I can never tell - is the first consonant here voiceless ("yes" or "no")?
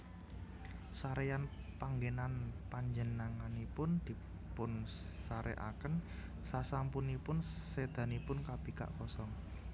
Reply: yes